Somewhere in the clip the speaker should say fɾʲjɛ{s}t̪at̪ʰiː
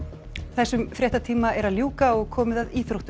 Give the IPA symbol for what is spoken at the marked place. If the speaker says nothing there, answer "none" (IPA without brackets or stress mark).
h